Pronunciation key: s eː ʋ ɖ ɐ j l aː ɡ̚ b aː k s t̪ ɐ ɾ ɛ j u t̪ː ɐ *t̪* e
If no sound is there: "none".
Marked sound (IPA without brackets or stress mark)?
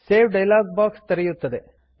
d̪